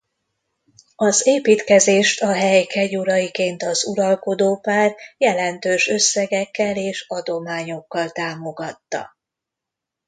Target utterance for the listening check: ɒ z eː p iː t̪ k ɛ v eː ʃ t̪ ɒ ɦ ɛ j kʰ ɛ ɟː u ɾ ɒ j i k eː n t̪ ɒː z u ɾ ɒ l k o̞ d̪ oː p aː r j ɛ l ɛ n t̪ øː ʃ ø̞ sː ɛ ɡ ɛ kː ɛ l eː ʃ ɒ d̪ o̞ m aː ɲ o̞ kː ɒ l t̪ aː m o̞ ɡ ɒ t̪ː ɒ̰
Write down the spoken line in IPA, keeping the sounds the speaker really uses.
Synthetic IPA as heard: ɒ z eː p iː t̪ k ɛ z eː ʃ t̪ ɒ ɦ ɛ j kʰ ɛ ɟ u ɾ ɒ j i k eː n t̪ ɒ z u ɾ ɒ l k o̞ d̪ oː p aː r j ɛ l ɛ n t̪ øː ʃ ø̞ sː ɛ ɡ ɛ kː ɛ l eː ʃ ɒ d̪ o̞ m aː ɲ o̞ kː ɒ l t̪ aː m o̞ ɡ ɒ t̪ː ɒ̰